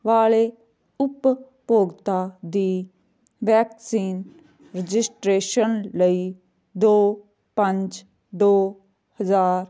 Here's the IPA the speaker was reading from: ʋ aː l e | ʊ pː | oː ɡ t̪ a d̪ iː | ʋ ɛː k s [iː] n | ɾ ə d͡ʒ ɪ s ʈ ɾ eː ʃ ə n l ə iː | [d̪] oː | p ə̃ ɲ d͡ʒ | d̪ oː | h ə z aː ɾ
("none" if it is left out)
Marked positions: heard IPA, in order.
iː, d̪

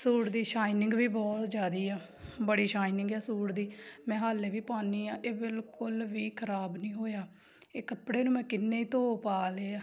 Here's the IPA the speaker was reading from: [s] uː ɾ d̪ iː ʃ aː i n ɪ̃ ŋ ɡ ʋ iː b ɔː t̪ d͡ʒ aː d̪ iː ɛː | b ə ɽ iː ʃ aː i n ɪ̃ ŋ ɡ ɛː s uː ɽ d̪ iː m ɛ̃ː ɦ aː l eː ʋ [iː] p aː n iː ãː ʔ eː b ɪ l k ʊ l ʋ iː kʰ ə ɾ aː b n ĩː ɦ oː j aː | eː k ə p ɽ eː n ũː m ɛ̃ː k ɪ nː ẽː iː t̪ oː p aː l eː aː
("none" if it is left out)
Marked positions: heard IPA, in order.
s, iː

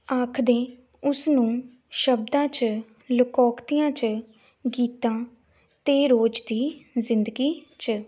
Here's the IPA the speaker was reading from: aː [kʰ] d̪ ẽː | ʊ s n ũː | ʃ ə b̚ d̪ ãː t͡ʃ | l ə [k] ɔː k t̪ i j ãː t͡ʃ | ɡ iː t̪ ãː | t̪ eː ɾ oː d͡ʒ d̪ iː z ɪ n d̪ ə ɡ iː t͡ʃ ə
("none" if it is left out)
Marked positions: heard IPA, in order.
kʰ, k

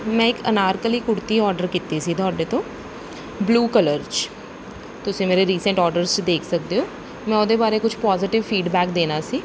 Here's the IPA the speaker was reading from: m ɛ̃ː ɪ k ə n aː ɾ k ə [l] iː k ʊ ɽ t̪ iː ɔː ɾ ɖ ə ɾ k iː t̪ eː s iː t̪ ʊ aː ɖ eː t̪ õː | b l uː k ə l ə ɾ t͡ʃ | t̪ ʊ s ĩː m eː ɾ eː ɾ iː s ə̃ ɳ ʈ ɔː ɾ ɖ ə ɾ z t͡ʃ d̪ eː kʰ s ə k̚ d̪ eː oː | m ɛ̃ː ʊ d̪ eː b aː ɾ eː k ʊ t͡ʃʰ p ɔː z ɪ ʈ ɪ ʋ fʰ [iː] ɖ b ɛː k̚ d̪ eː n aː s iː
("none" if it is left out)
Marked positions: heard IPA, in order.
l, iː

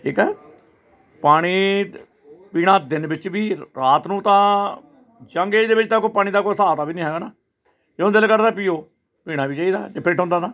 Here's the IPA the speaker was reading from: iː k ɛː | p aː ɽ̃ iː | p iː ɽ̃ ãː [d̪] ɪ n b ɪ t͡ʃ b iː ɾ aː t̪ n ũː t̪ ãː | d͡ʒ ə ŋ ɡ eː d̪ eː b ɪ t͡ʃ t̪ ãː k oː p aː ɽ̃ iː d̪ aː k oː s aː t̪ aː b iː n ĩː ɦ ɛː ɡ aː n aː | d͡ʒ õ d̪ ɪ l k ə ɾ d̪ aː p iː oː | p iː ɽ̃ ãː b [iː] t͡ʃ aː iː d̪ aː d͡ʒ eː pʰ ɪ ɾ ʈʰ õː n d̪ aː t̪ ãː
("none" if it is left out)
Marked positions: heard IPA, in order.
d̪, iː

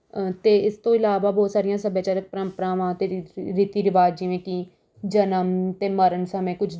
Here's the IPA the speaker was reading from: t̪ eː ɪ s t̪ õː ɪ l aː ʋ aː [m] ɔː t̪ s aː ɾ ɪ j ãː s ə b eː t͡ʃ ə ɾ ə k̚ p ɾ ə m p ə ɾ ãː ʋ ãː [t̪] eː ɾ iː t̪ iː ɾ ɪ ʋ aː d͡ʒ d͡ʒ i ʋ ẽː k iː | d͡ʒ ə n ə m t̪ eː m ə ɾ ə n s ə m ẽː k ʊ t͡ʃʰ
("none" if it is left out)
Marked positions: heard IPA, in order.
b, t̪

